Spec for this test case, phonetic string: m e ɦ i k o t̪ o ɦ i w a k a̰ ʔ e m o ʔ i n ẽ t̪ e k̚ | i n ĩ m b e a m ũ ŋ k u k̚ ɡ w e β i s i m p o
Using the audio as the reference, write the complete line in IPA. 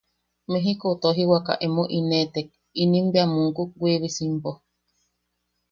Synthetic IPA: m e ɦ i k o t̪ o ɦ i w a k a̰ ʔ e m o ʔ i n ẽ t̪ e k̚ | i n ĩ m b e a m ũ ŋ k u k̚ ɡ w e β i s i m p o